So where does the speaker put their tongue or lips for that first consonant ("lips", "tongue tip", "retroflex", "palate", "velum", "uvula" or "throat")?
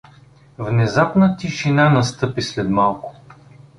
lips